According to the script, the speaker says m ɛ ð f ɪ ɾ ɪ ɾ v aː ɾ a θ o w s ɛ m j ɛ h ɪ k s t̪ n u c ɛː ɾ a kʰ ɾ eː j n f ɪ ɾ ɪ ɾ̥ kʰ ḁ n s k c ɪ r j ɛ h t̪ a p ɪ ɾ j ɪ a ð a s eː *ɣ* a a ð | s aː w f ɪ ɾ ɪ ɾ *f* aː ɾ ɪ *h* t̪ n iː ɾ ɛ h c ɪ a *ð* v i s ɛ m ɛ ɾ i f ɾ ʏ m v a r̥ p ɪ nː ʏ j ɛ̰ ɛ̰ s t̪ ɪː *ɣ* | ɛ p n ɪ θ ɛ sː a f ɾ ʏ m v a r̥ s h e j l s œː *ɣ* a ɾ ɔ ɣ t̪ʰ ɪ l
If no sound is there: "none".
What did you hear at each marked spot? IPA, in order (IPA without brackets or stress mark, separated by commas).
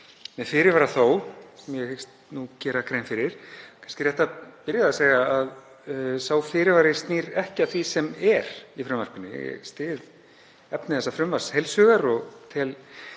ɣ, v, s, θ, ð, ɣ